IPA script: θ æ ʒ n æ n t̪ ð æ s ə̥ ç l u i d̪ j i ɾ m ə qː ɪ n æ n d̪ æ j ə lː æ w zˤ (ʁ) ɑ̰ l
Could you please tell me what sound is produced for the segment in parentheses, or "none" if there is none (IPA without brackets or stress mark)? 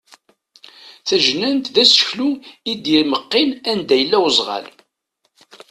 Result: ʁ